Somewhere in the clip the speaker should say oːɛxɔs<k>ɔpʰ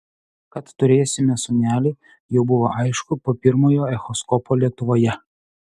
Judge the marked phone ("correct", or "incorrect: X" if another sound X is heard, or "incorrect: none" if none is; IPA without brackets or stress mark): correct